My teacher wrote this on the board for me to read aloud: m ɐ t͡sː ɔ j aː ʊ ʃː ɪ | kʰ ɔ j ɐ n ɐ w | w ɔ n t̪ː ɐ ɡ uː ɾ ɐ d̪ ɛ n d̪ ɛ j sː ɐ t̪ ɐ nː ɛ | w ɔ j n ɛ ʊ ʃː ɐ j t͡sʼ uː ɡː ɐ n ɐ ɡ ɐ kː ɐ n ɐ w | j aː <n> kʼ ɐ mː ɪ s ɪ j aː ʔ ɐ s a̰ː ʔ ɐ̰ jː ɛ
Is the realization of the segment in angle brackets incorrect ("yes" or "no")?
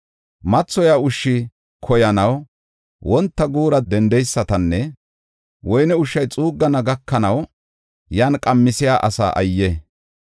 no